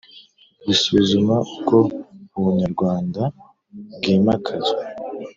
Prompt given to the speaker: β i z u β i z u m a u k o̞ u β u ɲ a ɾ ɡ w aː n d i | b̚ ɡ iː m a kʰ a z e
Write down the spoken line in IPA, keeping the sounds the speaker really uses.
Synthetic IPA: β i s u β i z u m a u k o̞ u β u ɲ a ɾ ɡ w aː n d a | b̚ ɡ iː m a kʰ a z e